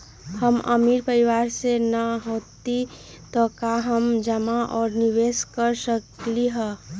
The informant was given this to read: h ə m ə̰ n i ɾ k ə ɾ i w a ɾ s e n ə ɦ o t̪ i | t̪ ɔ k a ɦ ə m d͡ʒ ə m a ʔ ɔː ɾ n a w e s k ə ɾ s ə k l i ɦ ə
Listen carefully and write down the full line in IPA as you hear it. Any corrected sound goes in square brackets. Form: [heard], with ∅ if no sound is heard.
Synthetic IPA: h ə m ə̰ [m] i ɾ [p] ə ɾ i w a ɾ s e n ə ɦ o t̪ i | t̪ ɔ k a ɦ ə m d͡ʒ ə m a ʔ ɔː ɾ n [i] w e s k ə ɾ s ə k l i ɦ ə